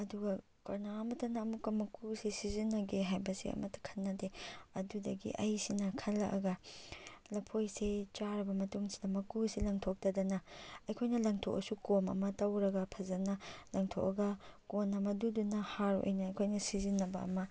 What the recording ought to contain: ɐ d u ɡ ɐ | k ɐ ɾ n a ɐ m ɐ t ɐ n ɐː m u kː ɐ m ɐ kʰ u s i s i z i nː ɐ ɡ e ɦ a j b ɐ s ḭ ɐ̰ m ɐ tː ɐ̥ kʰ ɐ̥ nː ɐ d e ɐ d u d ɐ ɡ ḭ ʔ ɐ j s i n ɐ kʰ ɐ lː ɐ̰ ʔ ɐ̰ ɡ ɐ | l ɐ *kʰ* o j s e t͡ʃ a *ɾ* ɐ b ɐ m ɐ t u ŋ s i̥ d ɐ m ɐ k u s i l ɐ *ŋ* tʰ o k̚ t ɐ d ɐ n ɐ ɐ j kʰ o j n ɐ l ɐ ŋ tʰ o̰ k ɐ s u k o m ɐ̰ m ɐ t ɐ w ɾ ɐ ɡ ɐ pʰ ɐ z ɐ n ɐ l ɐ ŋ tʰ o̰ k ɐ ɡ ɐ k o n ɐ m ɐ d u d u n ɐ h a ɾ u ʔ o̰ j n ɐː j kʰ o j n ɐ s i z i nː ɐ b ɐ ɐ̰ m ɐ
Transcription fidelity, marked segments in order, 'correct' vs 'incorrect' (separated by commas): incorrect, correct, correct